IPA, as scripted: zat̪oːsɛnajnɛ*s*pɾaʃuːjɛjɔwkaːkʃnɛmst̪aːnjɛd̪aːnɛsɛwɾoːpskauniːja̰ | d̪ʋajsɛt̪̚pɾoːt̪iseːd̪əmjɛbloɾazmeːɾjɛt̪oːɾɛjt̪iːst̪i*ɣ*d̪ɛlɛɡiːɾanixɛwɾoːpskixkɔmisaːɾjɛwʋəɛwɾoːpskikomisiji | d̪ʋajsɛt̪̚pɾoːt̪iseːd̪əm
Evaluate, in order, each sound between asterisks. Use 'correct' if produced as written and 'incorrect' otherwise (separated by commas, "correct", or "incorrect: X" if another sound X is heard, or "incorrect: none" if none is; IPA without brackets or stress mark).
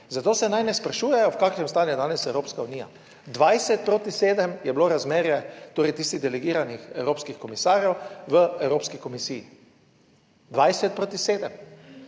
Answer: correct, correct